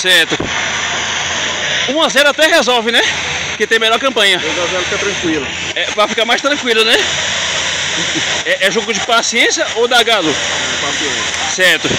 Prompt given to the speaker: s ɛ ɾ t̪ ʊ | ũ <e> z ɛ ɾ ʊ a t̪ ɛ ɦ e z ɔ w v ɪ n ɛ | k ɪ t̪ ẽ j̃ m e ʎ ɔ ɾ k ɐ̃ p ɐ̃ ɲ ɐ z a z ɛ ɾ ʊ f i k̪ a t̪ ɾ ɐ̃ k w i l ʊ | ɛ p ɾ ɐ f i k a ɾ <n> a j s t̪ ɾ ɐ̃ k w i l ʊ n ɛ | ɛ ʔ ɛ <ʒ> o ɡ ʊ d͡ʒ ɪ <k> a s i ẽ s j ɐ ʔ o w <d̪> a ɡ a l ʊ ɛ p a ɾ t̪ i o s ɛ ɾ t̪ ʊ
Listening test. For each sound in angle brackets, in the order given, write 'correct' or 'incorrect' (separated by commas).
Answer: incorrect, incorrect, correct, incorrect, correct